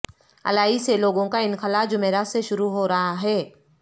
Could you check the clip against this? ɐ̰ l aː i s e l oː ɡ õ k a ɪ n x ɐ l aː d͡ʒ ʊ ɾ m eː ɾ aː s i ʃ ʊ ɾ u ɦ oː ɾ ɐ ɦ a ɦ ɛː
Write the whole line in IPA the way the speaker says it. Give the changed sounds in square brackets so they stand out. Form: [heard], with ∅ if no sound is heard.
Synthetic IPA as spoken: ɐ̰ l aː i s e l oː ɡ õ k a ɪ n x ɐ l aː d͡ʒ ʊ [∅] m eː ɾ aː s [e] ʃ ʊ ɾ u ɦ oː ɾ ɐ ɦ a ɦ ɛː

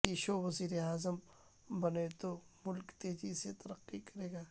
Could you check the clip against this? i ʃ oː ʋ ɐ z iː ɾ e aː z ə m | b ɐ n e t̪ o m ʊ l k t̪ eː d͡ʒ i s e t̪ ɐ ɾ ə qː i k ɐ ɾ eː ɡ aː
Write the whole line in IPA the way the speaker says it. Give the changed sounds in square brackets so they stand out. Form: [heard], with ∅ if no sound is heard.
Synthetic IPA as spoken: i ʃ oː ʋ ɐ z iː ɾ e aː z ə m | b ɐ n e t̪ o m ʊ l k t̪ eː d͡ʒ i s e t̪ ɐ ɾ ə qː i k ɐ ɾ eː ɡ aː

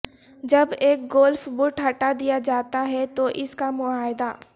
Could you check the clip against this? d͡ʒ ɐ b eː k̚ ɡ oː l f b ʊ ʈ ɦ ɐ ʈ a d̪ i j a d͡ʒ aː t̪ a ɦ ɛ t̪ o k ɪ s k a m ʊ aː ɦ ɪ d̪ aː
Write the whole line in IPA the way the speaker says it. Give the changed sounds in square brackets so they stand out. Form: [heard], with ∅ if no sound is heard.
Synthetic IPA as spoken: d͡ʒ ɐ b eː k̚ ɡ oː l f b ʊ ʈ ɦ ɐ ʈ a d̪ i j a d͡ʒ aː t̪ a ɦ ɛ t̪ o [ʔ] ɪ s k a m ʊ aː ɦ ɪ d̪ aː

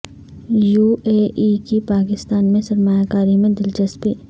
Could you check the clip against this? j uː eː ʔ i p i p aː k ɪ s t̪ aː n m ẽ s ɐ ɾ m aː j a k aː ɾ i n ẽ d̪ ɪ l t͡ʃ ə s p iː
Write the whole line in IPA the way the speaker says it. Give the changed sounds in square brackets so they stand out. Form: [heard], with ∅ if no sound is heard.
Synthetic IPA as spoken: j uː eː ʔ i [k] i p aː k ɪ s t̪ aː n m ẽ s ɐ ɾ m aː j a k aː ɾ i [m] ẽ d̪ ɪ l t͡ʃ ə s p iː

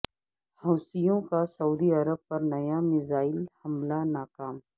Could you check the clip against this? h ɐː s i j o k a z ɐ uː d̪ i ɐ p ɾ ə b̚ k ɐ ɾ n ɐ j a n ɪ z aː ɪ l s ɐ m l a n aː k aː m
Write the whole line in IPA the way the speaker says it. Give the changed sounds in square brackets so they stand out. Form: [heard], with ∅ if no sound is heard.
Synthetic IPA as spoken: h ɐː s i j [õ] k a [s] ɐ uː d̪ i ɐ [∅] ɾ ə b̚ [p] ɐ ɾ n ɐ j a [m] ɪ z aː ɪ l [h] ɐ m l a n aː k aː m

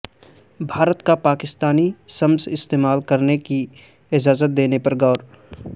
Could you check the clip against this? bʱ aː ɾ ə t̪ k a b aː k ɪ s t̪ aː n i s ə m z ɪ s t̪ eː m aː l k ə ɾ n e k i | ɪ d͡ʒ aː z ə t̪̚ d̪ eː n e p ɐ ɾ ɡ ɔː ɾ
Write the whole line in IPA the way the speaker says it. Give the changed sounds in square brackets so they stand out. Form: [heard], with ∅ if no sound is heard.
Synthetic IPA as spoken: bʱ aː ɾ ə t̪ k a [p] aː k ɪ s t̪ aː n i s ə m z ɪ s t̪ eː m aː l k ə ɾ n e k i | ɪ d͡ʒ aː z ə t̪̚ d̪ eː n e p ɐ ɾ ɡ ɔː ɾ

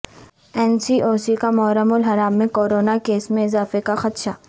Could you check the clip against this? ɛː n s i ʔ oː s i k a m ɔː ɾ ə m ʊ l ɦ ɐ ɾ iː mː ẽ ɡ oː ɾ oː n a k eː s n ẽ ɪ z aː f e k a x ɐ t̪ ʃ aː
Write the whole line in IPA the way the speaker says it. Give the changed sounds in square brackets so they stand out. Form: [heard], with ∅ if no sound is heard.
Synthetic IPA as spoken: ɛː n s i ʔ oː s i k a m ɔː ɾ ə m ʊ l ɦ ɐ ɾ [aː] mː ẽ [k] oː ɾ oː n a k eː s [m] ẽ ɪ z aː f e k a x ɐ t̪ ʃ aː

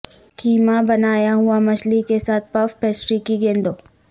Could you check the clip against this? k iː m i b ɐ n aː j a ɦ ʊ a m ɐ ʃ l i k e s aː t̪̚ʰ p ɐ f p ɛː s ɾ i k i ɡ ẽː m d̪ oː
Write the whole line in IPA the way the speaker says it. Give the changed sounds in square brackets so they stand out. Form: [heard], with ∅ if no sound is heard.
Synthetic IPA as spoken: k iː m [a] b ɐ n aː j a ɦ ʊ a m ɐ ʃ l i k e s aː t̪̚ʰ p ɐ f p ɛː s ɾ i k i ɡ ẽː [n] d̪ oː

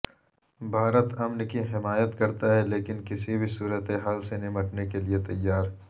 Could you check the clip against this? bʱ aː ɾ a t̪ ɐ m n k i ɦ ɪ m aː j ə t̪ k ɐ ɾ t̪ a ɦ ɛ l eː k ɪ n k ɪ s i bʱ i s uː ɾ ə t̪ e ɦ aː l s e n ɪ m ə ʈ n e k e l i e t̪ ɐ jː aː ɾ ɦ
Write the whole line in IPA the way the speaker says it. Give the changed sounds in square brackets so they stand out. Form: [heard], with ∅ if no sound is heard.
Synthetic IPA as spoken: bʱ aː ɾ [ə] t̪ ɐ m n k i ɦ ɪ m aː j ə t̪ k ɐ ɾ t̪ a ɦ ɛ l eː k ɪ n k ɪ s i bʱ i s uː ɾ ə t̪ e ɦ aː l s e n ɪ m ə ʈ n e k e l i e t̪ ɐ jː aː ɾ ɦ

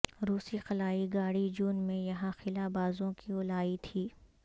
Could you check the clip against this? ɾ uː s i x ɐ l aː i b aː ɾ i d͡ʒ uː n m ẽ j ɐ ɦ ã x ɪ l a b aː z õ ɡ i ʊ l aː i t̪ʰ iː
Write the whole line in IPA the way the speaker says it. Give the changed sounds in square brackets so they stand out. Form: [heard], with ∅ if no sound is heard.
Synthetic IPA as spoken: ɾ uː s i x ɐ l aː i [ɡ] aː [ɽ] i d͡ʒ uː n m ẽ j ɐ ɦ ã x ɪ l a b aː z õ [k] i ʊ l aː i t̪ʰ iː

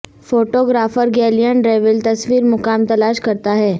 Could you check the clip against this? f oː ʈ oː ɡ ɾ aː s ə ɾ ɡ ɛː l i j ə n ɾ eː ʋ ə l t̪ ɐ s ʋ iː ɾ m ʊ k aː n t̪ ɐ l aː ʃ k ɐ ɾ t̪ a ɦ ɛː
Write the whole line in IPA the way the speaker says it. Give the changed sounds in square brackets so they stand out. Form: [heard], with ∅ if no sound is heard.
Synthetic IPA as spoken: f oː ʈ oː ɡ ɾ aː [f] ə ɾ ɡ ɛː l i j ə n ɾ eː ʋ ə l t̪ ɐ s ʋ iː ɾ m ʊ k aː [m] t̪ ɐ l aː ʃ k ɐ ɾ t̪ a ɦ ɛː

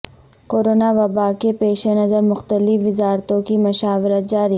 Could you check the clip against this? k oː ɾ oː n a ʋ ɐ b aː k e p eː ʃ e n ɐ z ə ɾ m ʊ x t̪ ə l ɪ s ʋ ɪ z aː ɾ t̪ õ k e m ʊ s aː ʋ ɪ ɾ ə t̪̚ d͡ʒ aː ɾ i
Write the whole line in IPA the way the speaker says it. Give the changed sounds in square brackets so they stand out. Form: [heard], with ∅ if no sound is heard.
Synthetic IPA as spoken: k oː ɾ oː n a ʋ ɐ b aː k e p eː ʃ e n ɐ z ə ɾ m ʊ x t̪ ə l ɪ [f] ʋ ɪ z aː ɾ t̪ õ k [i] m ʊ [ʃ] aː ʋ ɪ ɾ ə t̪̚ d͡ʒ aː ɾ i

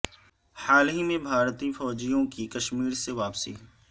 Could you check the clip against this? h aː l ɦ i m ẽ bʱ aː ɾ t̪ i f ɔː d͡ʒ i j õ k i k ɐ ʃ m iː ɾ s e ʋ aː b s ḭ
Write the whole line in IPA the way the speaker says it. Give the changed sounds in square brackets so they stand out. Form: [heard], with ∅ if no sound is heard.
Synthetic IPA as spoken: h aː l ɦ i m ẽ bʱ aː ɾ t̪ i f ɔː d͡ʒ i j õ k i k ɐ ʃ m iː ɾ s e ʋ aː [p] s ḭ

